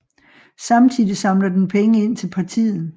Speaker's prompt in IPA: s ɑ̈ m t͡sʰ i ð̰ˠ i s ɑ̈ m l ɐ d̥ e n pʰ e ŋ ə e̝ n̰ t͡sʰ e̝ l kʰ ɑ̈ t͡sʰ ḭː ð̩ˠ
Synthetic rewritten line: s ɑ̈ m t͡sʰ i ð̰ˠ i s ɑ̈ m l ɐ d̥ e n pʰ e ŋ ə e̝ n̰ t͡sʰ e̝ l pʰ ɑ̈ t͡sʰ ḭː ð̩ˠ